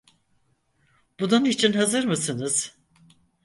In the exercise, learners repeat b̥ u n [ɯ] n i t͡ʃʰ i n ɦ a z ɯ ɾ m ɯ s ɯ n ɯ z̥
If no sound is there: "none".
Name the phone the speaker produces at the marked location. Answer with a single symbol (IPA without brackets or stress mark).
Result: u